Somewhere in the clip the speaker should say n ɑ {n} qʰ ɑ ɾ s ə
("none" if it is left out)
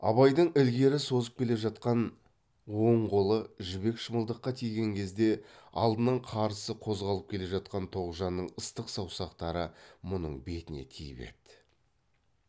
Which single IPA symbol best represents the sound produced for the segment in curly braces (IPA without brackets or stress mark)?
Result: ɴ